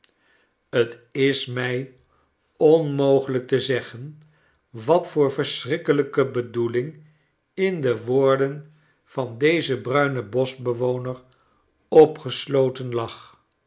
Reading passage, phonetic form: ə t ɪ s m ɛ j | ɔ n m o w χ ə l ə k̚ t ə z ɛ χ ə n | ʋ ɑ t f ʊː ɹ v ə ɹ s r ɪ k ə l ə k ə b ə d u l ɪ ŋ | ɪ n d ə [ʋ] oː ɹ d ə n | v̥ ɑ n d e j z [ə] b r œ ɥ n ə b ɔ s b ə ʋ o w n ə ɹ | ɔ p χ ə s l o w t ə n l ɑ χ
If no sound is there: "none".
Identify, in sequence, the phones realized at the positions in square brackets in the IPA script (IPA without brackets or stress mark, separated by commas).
ʋ, ə